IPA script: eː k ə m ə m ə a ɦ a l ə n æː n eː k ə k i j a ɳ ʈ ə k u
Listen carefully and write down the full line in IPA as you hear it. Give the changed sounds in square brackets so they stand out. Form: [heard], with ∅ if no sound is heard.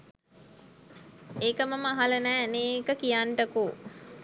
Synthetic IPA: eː k ə m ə m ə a ɦ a l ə n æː n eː k ə k i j a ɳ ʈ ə k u